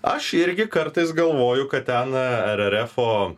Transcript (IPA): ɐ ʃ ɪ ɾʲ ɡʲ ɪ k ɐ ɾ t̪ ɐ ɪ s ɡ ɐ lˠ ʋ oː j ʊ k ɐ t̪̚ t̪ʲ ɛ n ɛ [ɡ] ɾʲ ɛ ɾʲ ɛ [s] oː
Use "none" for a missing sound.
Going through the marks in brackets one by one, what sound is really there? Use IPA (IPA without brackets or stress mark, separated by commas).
none, f